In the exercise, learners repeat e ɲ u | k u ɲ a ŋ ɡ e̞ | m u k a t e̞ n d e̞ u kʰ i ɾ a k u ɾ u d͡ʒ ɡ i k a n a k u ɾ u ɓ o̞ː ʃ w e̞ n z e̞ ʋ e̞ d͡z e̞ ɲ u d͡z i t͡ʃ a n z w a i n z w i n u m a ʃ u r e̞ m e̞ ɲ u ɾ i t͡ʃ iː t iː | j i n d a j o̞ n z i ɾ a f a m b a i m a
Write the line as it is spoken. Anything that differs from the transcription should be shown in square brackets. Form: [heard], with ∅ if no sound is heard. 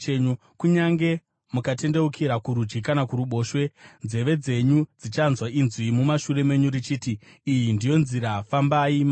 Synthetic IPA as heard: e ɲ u | k u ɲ a ŋ ɡ e̞ | m u k a t e̞ n d e̞ u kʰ i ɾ a k u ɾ u d͡ʒ ɡ i k a n a k u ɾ u ɓ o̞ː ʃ w e̞ n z e̞ ʋ e̞ d͡z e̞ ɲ u d͡z i t͡ʃ a n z w a i n z w i [m] u m a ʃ u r e̞ m e̞ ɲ u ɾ i t͡ʃ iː t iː | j i n d [i] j o̞ n z i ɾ a f a m b a i m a